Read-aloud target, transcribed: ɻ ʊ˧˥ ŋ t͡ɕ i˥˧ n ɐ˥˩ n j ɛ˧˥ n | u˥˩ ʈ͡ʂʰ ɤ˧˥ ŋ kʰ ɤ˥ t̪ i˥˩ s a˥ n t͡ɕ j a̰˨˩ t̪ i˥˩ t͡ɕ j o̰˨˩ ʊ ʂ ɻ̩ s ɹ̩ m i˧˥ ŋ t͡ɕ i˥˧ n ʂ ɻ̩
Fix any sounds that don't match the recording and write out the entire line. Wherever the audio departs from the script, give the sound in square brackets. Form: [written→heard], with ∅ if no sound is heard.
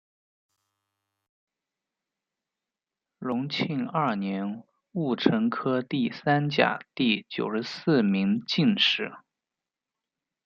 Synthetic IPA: ɻ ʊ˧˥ ŋ [t͡ɕ→t͡ɕʰ] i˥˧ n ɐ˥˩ n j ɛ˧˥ n | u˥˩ ʈ͡ʂʰ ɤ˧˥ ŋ kʰ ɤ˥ t̪ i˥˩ s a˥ n t͡ɕ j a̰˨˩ t̪ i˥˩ t͡ɕ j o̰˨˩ ʊ ʂ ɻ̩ s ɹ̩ m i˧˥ ŋ t͡ɕ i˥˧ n ʂ ɻ̩